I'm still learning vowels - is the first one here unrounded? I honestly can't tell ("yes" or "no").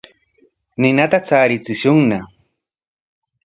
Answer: yes